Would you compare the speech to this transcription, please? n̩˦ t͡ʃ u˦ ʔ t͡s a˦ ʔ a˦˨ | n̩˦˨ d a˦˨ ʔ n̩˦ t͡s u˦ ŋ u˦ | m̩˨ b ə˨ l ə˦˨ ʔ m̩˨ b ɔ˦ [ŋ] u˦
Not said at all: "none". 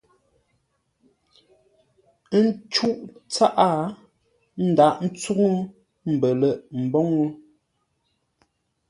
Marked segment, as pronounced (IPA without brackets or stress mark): ŋ